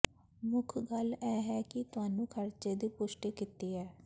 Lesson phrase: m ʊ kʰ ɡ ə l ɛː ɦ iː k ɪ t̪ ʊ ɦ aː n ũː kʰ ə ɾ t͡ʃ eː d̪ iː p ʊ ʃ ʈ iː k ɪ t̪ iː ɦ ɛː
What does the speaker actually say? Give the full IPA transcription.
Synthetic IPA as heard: m ʊ kʰ ɡ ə l ɛː ɦ ɛː k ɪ t̪ ʊ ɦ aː n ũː kʰ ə ɾ t͡ʃ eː d̪ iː p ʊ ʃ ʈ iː k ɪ t̪ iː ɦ ɛː